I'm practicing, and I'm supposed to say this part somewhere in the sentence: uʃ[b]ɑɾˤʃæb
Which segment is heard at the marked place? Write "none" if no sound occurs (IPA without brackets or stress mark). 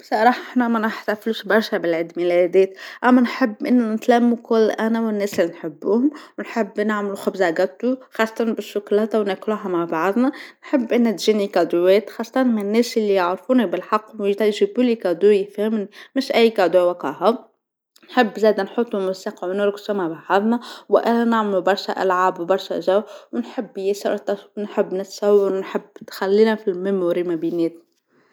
b